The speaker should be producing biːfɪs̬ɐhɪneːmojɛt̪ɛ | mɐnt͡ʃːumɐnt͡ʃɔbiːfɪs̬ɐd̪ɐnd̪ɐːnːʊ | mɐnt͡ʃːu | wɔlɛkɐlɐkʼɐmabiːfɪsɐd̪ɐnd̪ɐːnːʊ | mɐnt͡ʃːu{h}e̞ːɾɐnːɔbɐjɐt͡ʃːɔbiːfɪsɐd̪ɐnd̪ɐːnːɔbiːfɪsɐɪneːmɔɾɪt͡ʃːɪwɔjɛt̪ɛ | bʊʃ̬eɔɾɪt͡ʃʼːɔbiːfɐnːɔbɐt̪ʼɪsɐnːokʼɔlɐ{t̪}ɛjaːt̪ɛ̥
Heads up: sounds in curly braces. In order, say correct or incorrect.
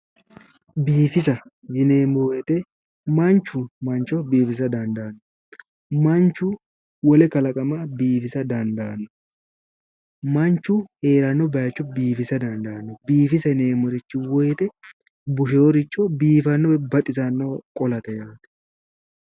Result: correct, correct

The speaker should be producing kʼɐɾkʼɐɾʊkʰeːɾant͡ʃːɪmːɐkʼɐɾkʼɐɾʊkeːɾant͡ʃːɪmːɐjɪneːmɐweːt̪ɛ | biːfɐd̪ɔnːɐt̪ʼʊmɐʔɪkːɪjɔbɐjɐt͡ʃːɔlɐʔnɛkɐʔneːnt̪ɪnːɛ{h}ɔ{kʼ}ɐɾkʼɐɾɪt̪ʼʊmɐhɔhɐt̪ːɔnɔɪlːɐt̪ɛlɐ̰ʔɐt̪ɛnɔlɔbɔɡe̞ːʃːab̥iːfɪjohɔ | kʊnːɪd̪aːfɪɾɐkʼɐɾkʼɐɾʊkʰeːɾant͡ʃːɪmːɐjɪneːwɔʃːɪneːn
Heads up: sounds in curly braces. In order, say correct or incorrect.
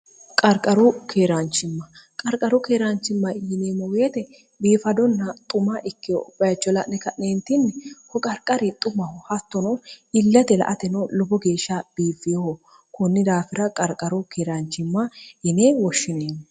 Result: correct, correct

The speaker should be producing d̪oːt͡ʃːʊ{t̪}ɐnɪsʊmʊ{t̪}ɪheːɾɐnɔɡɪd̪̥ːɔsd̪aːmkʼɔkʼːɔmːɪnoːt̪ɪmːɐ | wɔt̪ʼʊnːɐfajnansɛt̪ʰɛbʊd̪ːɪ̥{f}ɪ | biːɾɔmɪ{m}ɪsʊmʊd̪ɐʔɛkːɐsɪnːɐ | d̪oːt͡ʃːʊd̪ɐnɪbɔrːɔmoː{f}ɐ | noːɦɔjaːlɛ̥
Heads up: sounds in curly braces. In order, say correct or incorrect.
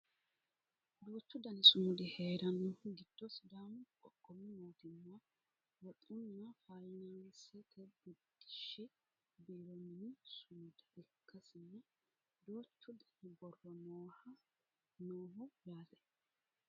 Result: incorrect: d̪, incorrect: d̪, incorrect: ʃ, incorrect: n, incorrect: h

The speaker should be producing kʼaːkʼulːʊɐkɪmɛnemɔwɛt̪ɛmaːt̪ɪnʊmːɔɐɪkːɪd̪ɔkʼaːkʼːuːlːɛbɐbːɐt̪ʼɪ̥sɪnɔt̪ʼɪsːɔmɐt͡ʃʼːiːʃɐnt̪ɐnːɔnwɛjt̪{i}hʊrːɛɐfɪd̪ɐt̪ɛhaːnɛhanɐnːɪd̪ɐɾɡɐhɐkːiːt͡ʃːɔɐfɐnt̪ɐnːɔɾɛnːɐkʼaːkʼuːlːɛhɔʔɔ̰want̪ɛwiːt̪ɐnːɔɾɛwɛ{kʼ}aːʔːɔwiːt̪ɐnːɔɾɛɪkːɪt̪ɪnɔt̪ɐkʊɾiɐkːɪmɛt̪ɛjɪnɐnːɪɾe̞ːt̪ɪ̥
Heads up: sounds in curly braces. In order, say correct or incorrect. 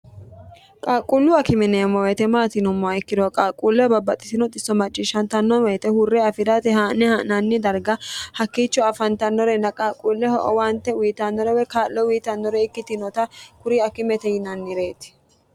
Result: incorrect: ɛ, incorrect: k

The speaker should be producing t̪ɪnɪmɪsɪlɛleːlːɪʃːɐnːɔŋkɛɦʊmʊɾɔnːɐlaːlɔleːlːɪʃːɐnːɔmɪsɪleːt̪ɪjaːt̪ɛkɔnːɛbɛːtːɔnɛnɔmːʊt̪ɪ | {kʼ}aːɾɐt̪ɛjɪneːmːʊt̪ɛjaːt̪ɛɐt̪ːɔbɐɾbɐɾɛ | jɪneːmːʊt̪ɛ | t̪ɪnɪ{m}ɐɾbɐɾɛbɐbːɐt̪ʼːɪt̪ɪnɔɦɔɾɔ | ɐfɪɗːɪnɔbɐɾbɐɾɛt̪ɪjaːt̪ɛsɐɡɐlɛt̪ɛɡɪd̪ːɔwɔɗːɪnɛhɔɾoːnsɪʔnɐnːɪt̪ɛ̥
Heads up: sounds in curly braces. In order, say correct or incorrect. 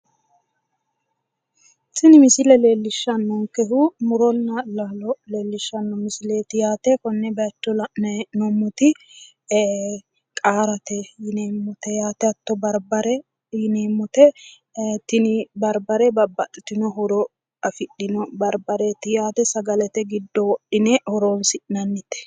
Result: correct, incorrect: b

